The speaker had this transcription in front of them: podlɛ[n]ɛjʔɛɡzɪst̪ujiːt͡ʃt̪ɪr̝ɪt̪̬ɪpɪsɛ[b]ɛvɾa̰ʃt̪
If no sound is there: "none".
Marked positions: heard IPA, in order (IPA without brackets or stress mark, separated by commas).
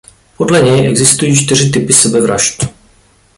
ɲ, b